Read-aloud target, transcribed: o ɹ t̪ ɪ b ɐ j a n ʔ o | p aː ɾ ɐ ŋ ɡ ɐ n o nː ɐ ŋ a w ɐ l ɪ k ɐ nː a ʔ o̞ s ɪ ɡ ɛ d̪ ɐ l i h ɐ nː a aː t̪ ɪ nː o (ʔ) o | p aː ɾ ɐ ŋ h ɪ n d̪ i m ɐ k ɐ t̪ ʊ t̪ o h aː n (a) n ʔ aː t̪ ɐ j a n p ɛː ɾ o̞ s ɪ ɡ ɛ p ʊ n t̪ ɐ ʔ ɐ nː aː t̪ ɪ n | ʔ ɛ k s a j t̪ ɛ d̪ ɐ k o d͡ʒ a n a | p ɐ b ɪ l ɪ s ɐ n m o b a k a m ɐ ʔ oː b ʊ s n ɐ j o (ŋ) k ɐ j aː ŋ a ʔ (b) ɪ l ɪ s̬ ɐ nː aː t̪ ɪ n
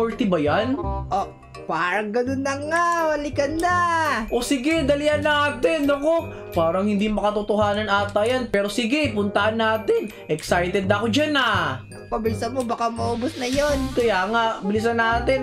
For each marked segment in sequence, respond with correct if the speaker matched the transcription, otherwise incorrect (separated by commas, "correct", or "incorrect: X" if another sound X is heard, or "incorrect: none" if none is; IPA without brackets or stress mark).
incorrect: k, incorrect: ɐ, incorrect: n, correct